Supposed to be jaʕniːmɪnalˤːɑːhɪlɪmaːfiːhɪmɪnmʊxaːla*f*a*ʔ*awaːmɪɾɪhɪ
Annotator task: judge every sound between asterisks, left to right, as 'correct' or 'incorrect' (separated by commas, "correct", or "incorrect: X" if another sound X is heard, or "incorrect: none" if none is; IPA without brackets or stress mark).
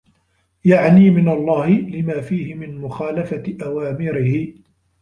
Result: correct, correct